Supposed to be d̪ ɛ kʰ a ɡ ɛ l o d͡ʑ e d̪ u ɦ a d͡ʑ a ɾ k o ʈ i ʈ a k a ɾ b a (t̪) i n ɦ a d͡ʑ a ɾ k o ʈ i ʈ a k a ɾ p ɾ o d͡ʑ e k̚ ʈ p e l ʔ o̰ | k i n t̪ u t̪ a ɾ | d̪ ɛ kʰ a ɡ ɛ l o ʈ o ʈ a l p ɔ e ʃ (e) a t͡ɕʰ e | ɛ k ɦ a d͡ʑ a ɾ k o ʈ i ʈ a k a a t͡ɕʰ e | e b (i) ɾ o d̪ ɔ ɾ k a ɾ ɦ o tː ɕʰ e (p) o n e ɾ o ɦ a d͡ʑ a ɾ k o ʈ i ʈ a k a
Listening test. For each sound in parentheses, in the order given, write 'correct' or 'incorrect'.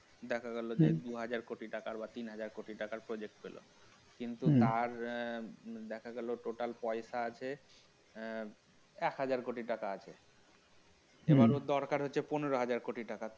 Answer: correct, incorrect, incorrect, correct

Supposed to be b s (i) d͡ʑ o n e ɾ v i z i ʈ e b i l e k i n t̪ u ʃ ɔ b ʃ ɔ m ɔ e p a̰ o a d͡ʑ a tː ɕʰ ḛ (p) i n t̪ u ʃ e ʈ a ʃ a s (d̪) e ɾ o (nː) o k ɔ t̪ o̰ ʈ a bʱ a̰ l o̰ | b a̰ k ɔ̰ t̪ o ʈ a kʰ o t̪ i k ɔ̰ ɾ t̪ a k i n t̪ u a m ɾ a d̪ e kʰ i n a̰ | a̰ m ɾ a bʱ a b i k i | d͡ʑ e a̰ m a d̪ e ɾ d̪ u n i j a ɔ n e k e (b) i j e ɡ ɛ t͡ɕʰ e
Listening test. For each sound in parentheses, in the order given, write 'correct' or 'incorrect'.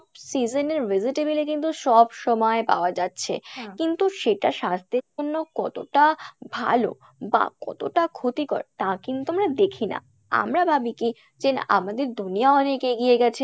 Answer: correct, incorrect, incorrect, correct, incorrect

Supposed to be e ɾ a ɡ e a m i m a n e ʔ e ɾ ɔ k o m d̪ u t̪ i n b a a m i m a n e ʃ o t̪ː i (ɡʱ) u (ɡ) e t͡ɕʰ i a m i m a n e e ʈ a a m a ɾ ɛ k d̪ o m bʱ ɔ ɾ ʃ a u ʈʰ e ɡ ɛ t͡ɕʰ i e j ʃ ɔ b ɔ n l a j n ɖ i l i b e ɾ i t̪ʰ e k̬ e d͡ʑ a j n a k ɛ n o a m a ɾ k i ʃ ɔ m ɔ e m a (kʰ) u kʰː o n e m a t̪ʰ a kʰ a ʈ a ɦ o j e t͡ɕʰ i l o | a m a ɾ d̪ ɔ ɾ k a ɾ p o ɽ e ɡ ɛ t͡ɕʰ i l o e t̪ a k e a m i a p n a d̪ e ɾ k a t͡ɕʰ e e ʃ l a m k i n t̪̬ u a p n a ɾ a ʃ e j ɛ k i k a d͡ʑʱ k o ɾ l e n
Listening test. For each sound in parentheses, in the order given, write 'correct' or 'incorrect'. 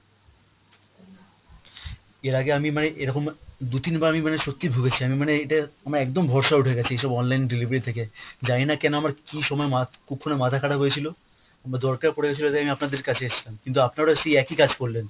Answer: incorrect, correct, incorrect

